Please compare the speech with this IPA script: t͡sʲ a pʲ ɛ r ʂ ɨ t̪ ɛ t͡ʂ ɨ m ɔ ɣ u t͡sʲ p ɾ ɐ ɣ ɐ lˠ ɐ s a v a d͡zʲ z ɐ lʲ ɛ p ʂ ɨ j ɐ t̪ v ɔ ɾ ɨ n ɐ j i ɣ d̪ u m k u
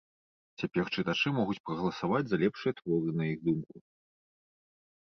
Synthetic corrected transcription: t͡sʲ a pʲ ɛ r t͡ʂ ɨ t̪ a t͡ʂ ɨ m ɔ ɣ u t͡sʲ p ɾ ɐ ɣ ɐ lˠ ɐ s a v a d͡zʲ z ɐ lʲ ɛ p ʂ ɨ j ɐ t̪ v ɔ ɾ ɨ n ɐ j i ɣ d̪ u m k u